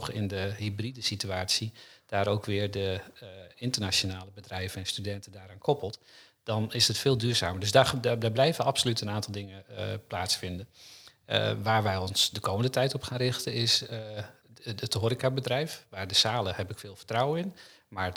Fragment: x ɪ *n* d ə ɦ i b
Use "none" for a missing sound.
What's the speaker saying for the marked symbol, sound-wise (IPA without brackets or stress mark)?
n